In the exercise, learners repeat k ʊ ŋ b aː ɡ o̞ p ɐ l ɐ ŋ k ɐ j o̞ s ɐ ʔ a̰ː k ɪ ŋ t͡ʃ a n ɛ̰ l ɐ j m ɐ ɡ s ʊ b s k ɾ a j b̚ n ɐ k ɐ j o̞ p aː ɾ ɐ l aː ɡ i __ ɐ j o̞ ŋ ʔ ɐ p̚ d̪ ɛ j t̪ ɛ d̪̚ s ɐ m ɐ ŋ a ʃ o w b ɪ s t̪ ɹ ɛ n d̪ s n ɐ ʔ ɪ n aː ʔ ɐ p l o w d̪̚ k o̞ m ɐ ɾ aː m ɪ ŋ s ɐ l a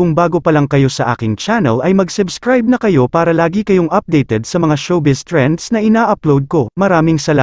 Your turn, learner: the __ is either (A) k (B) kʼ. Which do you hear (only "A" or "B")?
A